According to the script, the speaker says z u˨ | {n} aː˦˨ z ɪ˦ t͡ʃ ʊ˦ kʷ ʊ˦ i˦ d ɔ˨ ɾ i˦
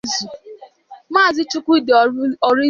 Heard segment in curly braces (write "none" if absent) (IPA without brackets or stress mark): m